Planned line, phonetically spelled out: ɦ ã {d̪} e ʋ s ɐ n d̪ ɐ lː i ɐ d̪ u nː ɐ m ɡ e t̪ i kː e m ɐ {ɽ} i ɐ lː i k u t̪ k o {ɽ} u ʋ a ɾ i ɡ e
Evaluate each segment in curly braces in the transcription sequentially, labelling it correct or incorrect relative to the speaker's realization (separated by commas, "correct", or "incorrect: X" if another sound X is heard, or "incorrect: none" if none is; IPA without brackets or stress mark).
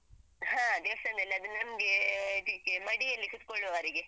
correct, correct, incorrect: ɭ